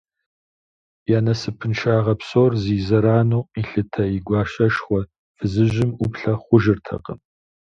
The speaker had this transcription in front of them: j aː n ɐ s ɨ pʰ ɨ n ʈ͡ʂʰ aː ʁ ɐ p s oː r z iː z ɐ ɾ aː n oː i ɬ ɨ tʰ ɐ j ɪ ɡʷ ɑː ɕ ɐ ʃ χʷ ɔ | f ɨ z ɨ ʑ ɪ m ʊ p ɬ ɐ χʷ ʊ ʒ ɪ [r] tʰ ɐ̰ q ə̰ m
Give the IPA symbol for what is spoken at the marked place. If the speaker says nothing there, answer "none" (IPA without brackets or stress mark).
r